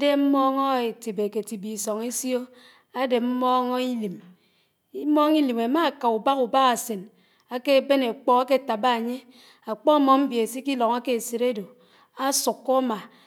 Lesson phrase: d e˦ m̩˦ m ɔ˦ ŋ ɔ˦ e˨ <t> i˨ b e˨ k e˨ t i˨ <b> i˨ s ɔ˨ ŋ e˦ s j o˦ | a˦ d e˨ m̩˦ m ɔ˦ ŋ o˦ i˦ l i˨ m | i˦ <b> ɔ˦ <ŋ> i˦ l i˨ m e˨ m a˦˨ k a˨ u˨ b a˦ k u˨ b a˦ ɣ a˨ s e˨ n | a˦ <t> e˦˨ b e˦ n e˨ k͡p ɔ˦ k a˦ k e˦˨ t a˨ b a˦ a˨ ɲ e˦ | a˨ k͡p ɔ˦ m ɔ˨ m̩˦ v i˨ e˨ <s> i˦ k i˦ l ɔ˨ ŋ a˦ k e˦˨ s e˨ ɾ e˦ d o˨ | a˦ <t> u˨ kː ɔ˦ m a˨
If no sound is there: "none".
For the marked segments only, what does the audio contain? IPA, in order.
t, b, m, ŋ, k, s, s

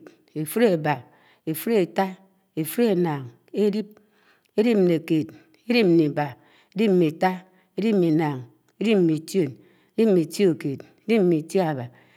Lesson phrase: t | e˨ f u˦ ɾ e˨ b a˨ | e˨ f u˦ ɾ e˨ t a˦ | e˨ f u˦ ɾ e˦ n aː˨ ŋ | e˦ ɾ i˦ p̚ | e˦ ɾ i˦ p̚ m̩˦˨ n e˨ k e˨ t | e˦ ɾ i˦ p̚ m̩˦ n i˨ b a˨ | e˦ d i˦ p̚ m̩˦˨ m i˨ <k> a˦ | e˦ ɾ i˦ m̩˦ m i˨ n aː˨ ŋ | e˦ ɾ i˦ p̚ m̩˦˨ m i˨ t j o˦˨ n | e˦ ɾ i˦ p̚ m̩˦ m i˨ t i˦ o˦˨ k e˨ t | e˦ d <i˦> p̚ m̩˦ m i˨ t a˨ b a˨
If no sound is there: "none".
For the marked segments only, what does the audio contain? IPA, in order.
t, i˦

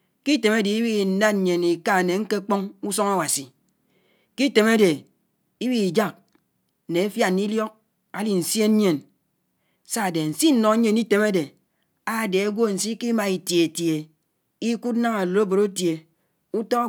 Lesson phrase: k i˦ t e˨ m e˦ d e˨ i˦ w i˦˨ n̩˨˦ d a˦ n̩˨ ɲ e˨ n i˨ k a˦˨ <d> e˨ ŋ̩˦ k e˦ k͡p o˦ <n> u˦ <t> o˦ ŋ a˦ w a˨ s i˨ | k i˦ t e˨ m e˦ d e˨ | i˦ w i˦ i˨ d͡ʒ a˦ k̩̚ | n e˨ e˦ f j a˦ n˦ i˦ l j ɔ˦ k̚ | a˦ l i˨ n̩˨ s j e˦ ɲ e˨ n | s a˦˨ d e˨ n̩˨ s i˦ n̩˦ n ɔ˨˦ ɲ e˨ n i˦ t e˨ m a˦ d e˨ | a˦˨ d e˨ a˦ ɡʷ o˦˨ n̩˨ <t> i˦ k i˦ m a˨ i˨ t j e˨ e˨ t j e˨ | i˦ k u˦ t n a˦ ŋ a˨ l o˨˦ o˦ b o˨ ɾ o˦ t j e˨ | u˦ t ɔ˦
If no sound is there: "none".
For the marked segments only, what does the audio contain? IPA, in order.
n, ŋ, s, s

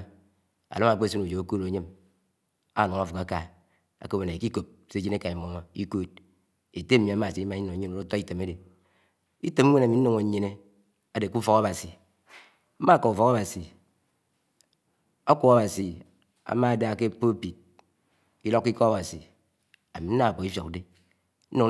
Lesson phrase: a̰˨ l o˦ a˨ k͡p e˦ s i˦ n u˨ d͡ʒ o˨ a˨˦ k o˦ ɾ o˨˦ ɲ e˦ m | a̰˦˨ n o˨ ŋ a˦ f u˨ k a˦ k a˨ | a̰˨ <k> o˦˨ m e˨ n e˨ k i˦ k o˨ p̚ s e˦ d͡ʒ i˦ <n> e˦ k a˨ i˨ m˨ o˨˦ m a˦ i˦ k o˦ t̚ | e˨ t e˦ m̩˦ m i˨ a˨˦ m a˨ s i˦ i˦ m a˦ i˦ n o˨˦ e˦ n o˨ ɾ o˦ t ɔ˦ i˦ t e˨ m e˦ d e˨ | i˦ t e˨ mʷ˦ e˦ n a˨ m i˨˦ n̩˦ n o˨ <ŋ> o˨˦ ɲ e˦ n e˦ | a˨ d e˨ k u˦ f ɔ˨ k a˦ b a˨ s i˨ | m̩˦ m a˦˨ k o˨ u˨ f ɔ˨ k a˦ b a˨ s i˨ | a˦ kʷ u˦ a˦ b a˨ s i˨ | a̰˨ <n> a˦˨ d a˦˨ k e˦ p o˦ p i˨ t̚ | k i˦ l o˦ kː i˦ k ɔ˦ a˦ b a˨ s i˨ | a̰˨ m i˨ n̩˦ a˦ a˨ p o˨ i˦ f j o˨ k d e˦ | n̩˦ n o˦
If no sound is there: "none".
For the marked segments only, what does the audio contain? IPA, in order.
k, n, ŋ, m

